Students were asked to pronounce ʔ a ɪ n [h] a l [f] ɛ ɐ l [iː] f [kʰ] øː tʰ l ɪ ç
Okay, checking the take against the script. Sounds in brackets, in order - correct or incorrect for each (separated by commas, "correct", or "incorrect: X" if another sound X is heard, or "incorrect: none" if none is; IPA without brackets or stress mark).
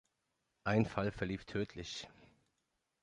incorrect: f, correct, correct, incorrect: tʰ